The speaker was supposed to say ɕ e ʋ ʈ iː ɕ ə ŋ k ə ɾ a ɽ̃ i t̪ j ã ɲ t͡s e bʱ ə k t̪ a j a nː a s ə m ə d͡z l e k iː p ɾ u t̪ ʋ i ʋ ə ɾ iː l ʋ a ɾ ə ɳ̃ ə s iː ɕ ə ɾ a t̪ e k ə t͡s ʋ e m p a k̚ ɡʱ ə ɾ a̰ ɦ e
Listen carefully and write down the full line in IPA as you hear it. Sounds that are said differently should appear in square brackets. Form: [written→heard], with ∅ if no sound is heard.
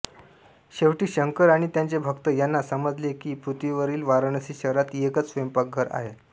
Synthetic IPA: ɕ e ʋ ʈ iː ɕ ə ŋ k ə ɾ a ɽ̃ i t̪ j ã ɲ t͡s e bʱ ə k t̪ [a→ə] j a nː a s ə m ə d͡z l e k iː p ɾ u t̪ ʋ i ʋ ə ɾ iː l ʋ a ɾ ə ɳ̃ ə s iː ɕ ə ɾ a t̪ e k ə t͡s ʋ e m p a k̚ ɡʱ ə ɾ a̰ ɦ e